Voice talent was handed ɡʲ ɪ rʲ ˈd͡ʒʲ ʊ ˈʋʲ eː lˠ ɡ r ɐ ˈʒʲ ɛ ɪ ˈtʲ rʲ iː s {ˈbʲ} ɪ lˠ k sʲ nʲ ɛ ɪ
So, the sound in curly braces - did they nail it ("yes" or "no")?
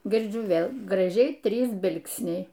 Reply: yes